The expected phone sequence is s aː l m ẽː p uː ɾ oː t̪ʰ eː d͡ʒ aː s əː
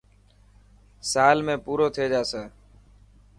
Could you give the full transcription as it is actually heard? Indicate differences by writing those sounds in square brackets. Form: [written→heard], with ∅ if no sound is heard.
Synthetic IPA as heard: s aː l m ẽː p uː ɾ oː t̪ʰ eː d͡ʒ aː s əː